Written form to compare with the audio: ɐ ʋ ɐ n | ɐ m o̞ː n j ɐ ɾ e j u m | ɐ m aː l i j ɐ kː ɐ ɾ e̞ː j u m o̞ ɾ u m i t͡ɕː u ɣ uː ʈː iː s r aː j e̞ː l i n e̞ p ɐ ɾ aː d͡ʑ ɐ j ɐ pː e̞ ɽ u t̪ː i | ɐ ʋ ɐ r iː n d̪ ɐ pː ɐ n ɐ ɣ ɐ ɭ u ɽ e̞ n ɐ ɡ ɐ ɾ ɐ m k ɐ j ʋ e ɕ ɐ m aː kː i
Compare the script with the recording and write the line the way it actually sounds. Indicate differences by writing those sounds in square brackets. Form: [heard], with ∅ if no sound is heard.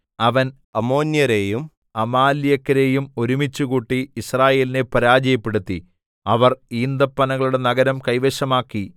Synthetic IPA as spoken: ɐ ʋ ɐ n | ɐ m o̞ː n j ɐ ɾ e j u m | ɐ m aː l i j ɐ kː ɐ ɾ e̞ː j u m o̞ ɾ u m i t͡ɕː u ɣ uː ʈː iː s r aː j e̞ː l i n e̞ p ɐ ɾ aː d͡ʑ ɐ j ɐ pː e̞ ɽ u t̪ː i | ɐ ʋ ɐ r iː n d̪ ɐ pː ɐ n ɐ ɣ ɐ ɭ u ɽ e̞ n ɐ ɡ ɐ ɾ ɐ m k ɐ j ʋ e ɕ ɐ m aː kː i